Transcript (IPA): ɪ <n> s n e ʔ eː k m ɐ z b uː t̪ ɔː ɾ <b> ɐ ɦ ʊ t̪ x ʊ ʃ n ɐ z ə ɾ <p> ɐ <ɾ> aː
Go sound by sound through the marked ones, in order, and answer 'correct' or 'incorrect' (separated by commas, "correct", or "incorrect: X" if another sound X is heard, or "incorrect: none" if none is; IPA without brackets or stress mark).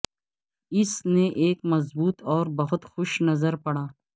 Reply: incorrect: none, correct, correct, incorrect: ɽ